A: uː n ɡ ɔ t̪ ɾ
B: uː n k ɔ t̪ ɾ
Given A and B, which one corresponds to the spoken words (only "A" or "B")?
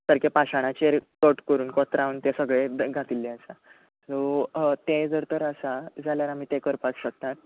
B